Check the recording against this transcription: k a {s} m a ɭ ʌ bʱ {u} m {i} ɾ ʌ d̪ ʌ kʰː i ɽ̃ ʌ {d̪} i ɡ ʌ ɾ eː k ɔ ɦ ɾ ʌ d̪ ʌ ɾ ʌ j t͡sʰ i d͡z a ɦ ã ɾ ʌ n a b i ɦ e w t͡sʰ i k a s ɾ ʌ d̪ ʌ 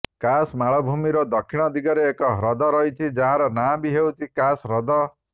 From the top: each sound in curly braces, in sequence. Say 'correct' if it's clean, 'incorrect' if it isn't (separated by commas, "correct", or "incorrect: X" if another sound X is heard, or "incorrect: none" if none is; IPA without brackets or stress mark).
correct, correct, correct, correct